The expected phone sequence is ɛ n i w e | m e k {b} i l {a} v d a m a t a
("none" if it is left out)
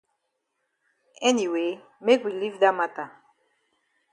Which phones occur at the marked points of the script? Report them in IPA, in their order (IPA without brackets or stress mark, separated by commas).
w, i